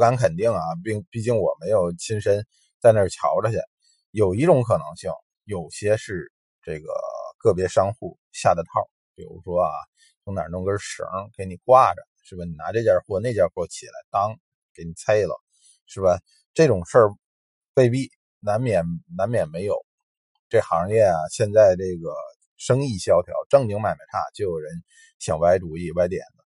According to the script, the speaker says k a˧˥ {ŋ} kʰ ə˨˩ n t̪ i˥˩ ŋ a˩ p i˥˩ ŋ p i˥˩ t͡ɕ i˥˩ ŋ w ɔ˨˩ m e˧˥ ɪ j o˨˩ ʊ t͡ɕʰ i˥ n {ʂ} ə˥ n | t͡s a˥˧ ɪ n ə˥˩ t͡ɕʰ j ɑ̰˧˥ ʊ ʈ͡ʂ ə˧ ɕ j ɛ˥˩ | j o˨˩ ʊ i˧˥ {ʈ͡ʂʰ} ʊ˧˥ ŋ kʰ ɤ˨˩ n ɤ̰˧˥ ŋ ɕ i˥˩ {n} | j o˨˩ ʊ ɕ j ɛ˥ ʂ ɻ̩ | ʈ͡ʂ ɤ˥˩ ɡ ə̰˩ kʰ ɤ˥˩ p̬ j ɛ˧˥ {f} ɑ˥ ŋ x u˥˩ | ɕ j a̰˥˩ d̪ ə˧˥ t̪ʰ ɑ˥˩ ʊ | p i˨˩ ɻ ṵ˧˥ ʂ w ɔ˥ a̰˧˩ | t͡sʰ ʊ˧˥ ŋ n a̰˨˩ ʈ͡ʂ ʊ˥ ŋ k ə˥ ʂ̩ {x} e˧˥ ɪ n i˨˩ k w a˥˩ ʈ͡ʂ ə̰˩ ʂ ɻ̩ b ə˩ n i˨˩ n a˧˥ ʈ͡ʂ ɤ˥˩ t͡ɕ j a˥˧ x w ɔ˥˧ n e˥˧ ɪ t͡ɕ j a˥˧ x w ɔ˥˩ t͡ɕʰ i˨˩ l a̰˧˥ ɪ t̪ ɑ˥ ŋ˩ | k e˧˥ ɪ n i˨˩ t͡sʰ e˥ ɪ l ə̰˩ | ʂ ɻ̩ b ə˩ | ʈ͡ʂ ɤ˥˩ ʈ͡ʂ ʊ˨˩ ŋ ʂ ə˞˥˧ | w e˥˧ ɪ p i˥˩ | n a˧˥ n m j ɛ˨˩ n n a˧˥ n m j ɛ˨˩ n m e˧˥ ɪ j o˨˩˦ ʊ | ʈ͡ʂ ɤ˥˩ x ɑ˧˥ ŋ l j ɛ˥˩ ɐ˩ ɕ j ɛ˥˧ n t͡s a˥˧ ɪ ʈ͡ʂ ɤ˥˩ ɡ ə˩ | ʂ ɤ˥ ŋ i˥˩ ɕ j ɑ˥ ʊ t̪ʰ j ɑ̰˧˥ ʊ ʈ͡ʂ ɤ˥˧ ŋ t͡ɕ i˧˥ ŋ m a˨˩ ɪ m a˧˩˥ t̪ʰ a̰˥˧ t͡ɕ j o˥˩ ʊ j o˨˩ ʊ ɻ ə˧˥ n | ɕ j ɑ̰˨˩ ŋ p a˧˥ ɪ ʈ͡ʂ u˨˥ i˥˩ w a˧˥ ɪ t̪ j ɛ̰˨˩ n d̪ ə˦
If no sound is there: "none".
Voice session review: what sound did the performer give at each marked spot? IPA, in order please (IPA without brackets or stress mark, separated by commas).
n, ʂ, ʈ͡ʂ, ŋ, ʂ, k